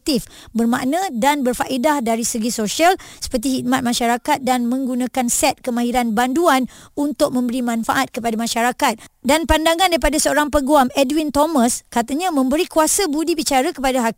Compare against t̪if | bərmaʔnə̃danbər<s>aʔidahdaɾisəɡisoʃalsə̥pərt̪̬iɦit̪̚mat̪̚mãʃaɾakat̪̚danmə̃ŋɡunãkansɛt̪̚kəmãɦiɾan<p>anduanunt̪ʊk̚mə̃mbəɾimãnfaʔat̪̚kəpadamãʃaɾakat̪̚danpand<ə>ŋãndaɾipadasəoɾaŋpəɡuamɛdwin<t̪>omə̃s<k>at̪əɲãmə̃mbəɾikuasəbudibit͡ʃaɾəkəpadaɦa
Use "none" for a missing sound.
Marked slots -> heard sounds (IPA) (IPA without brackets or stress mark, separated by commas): f, b, a, t̪, k